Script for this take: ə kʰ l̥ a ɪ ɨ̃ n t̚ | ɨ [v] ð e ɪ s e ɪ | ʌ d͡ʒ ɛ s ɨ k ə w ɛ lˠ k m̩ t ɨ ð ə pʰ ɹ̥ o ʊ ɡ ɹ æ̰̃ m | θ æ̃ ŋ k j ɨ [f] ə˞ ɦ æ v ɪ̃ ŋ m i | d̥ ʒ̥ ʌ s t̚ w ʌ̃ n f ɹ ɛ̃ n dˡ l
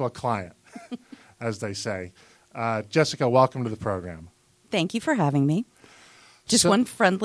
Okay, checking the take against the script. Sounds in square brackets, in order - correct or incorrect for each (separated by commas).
incorrect, correct